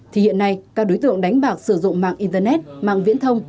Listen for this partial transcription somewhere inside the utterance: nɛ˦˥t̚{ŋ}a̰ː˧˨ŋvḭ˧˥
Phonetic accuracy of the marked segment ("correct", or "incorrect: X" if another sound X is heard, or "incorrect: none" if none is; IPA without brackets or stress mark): incorrect: m